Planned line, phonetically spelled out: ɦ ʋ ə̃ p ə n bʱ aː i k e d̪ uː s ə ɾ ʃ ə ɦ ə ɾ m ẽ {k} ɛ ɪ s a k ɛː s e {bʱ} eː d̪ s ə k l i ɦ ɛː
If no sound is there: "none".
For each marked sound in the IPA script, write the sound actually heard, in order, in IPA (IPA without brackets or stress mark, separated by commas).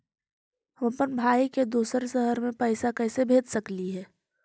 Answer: p, bʱ